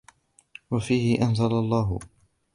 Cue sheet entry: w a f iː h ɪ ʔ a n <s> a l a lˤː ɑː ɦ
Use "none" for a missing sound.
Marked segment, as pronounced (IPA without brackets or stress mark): z